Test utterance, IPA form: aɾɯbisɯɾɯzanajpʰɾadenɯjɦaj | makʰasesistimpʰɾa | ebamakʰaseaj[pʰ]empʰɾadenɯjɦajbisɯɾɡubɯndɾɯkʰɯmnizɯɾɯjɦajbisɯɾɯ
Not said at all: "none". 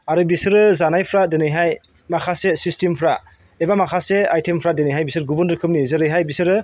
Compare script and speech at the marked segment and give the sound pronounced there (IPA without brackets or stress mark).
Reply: tʰ